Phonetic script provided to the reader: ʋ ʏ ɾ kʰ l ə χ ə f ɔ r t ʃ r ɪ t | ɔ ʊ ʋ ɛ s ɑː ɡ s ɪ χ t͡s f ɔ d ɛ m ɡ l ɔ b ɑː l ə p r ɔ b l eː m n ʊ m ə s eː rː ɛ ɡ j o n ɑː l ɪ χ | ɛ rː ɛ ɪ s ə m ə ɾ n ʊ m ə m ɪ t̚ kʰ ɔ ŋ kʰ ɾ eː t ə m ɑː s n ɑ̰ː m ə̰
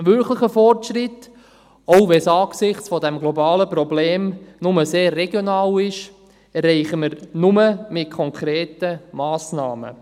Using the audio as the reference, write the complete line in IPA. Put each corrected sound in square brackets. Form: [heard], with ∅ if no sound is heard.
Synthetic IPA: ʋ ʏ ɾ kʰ l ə χ ə f ɔ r t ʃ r ɪ t | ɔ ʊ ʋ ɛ s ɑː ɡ s ɪ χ t͡s f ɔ d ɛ m ɡ l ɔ b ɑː l ə p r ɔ b l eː m n ʊ m ə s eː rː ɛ ɡ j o n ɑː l ɪ [ʃ] | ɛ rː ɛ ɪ [χ] ə m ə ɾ n ʊ m ə m ɪ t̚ kʰ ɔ ŋ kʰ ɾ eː t ə m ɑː s n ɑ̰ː m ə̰